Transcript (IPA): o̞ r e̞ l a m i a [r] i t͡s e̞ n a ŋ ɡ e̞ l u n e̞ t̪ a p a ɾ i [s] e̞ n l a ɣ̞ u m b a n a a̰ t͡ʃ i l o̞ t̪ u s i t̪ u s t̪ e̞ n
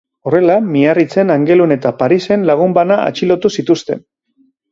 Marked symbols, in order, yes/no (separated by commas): yes, yes